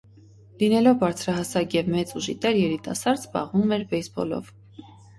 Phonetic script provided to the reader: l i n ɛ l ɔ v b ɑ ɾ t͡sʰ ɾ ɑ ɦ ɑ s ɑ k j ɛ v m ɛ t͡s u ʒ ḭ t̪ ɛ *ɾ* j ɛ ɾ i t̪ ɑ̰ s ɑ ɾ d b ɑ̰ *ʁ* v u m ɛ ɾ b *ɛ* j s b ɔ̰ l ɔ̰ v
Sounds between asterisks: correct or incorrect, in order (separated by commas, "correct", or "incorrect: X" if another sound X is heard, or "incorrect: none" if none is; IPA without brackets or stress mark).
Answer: correct, correct, correct